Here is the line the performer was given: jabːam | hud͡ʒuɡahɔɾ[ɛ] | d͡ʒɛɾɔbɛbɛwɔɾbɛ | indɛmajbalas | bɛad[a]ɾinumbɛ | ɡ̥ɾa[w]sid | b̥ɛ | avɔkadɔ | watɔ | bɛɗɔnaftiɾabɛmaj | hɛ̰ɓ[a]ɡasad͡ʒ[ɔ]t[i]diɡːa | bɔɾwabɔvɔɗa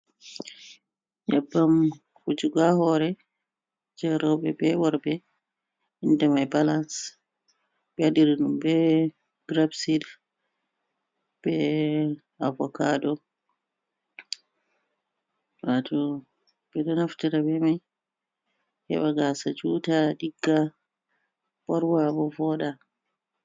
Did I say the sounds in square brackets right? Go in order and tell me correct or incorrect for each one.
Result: correct, incorrect, incorrect, correct, incorrect, incorrect

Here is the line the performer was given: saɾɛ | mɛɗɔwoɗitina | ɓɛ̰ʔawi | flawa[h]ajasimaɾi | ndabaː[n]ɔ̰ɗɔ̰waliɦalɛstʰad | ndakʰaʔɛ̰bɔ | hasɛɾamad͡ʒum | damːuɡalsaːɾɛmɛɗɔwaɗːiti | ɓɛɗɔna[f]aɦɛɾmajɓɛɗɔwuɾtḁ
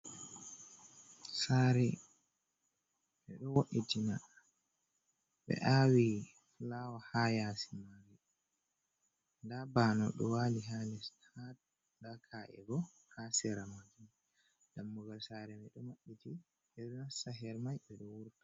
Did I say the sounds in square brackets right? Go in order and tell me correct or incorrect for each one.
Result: correct, correct, incorrect

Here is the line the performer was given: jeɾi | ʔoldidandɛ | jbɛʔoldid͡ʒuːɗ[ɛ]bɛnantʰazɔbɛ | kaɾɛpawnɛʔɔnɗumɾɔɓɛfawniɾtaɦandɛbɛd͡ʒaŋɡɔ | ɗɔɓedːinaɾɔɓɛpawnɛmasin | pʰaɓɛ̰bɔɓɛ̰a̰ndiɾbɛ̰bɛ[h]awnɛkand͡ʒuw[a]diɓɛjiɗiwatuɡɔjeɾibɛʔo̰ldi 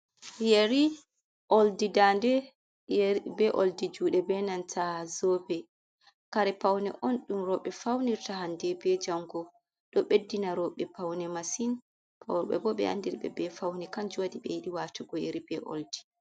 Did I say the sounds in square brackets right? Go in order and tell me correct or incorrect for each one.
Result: correct, incorrect, correct

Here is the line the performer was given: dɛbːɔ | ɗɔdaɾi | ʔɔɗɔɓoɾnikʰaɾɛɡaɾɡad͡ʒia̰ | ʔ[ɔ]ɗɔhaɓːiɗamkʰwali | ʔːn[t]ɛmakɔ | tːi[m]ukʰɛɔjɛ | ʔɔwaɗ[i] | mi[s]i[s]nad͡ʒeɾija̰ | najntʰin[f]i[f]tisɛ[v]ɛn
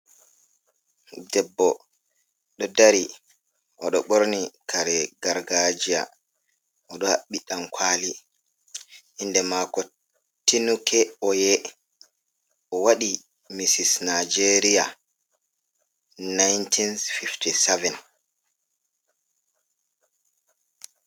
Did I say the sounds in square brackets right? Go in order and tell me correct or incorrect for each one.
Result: correct, incorrect, incorrect, correct, correct, correct, correct, correct, correct

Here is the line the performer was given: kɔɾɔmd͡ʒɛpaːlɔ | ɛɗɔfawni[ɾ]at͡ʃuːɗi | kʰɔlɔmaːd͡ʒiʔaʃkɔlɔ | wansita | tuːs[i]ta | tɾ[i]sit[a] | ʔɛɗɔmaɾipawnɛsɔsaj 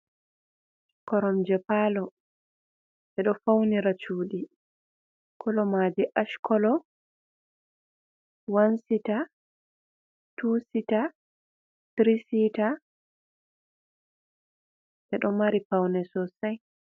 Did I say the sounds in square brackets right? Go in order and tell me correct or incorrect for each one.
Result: correct, correct, correct, correct

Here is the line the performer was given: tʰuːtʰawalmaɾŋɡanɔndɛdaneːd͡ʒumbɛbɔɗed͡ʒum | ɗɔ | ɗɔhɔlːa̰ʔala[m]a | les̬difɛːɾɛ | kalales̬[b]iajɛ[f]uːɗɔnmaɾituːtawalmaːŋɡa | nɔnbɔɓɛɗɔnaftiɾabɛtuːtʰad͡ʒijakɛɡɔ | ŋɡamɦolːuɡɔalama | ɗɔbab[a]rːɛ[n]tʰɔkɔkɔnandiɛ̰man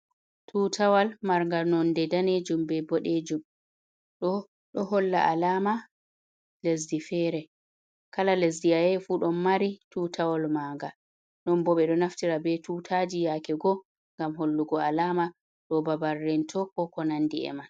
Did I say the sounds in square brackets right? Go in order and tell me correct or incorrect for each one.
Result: correct, incorrect, correct, correct, correct

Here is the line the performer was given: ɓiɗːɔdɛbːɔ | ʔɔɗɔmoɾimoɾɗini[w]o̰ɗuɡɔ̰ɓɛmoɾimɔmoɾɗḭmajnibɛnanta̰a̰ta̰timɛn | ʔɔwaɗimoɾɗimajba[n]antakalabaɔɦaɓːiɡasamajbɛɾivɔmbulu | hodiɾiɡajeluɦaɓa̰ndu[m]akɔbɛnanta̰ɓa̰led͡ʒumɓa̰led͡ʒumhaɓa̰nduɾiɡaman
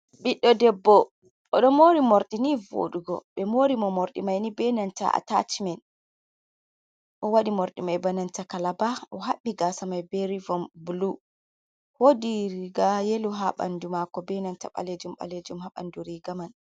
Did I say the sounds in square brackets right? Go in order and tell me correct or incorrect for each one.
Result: incorrect, correct, correct

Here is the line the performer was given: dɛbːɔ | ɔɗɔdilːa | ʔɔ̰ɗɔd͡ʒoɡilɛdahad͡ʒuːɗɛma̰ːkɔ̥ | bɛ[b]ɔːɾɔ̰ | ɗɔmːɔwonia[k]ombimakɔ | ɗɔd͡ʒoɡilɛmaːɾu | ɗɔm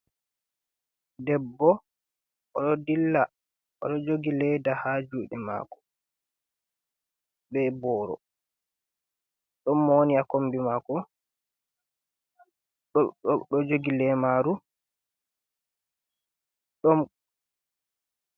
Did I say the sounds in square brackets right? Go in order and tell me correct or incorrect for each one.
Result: correct, correct

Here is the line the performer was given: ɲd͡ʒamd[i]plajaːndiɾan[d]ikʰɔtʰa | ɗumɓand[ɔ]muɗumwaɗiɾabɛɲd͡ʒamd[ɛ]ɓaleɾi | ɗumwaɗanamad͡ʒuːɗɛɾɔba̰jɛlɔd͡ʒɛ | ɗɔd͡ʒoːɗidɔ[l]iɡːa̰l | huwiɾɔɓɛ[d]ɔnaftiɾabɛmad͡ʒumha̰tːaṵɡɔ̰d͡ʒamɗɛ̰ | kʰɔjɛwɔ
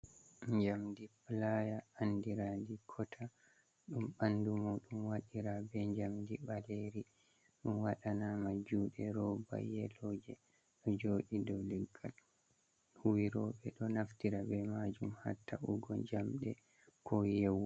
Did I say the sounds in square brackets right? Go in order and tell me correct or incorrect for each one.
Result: correct, correct, incorrect, incorrect, correct, incorrect

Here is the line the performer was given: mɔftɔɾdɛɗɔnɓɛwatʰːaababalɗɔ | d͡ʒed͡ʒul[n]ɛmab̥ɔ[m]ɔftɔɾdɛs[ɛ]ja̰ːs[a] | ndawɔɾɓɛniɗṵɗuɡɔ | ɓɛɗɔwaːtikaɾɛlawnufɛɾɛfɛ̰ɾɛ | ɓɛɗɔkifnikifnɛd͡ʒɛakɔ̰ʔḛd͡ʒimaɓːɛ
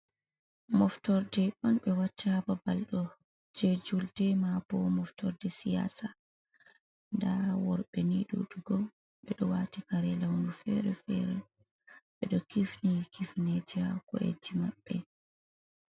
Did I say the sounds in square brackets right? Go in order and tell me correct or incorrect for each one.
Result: incorrect, correct, incorrect, correct

